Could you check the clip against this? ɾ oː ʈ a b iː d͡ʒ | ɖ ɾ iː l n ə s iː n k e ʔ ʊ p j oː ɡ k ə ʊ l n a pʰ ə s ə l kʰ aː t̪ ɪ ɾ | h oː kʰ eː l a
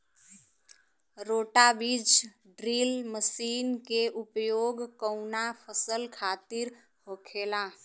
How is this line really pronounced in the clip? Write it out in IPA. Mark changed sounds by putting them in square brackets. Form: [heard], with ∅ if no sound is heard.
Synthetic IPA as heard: ɾ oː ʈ a b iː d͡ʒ | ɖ ɾ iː l [m] ə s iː n k e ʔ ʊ p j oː ɡ k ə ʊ [∅] n a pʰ ə s ə l kʰ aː t̪ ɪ ɾ | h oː kʰ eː l a